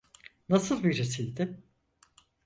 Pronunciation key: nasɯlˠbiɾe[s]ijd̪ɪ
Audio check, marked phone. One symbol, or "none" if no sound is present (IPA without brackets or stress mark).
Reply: s